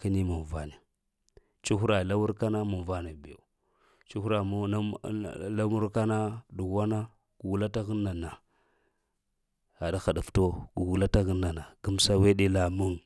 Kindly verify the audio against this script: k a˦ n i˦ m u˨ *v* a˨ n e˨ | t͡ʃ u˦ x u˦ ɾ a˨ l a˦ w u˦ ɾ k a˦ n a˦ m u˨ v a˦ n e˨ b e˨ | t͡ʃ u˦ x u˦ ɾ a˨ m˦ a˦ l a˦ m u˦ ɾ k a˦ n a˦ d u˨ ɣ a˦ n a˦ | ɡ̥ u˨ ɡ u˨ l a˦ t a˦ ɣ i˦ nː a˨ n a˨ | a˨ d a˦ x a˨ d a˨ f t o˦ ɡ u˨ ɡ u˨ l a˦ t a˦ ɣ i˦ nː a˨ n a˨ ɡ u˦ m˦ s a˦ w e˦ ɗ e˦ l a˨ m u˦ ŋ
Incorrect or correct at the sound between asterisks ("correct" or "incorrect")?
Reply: correct